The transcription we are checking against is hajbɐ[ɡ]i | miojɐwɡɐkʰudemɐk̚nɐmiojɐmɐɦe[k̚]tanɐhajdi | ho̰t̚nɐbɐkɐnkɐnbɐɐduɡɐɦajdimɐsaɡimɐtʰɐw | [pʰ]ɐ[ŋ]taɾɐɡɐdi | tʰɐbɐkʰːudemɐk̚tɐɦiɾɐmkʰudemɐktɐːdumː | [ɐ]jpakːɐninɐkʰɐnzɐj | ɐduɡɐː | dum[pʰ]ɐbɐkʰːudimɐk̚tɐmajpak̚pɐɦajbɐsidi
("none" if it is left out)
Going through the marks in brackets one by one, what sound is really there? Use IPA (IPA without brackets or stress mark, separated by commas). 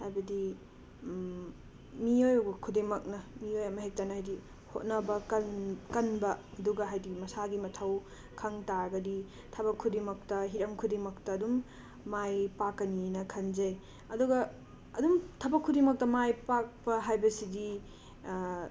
d, k̚, kʰ, ŋ, a, tʰ